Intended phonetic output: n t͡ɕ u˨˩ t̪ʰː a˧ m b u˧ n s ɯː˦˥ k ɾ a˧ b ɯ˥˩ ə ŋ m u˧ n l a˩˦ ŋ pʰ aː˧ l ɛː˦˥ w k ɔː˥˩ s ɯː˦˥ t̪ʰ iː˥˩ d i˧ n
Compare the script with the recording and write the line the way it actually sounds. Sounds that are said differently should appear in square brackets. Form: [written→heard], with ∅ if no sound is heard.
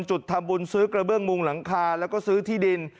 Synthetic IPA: n t͡ɕ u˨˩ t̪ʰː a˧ m b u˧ n s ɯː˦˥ k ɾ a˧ b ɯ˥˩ ə ŋ m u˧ [n→ŋ] l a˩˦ ŋ [pʰ→kʰ] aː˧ l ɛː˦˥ w k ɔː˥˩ s ɯː˦˥ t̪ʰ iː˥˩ d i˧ n